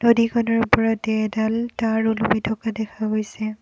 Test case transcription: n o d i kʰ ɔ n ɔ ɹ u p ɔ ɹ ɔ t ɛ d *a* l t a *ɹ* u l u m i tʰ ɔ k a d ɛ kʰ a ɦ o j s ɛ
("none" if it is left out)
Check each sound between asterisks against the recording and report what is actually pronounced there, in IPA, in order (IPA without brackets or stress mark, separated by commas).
a, ɹ